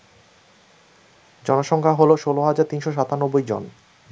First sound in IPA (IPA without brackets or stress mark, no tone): d͡ʑ